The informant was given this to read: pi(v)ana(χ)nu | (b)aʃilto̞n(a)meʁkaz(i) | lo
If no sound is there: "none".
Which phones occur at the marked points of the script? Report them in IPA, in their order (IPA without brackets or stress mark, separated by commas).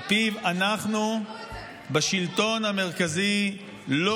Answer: v, χ, b, a, i